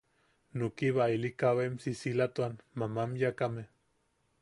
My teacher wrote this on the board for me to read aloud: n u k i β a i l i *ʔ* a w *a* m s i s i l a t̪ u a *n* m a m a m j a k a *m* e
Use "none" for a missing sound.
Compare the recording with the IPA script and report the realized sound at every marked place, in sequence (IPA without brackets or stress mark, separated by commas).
k, e, n, m